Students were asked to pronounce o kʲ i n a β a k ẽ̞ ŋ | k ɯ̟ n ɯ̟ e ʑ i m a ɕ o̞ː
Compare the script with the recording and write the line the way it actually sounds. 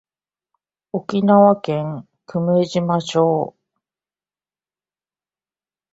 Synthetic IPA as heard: o kʲ i n a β a k ẽ̞ ŋ | k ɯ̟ m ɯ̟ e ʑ i m a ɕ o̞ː